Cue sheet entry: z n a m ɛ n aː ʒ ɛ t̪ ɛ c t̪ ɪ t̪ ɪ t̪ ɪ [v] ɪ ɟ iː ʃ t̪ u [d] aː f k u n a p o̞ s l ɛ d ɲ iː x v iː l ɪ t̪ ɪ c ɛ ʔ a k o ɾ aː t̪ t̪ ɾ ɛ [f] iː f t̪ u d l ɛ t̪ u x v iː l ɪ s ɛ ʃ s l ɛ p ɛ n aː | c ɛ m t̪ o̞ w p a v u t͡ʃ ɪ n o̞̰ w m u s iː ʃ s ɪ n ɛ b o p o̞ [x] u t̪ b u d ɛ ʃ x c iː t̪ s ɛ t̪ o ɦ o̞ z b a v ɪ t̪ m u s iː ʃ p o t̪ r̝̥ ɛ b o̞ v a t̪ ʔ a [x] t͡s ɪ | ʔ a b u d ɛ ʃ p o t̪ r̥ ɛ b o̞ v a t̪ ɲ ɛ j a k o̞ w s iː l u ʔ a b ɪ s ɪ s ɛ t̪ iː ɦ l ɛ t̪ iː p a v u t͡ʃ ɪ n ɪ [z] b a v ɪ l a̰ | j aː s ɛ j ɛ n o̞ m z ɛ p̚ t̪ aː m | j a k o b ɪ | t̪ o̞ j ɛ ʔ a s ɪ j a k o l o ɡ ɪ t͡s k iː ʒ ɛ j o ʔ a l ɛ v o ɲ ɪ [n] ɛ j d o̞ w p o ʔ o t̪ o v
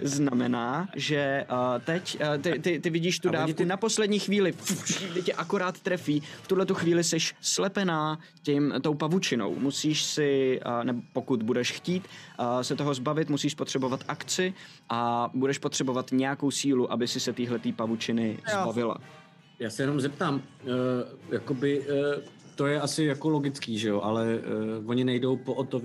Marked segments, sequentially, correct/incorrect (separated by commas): correct, correct, correct, incorrect, incorrect, correct, correct